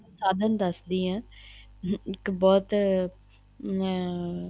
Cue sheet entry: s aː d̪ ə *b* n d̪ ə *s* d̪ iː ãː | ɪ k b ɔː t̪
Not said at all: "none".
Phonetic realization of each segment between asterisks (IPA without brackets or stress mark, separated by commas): none, s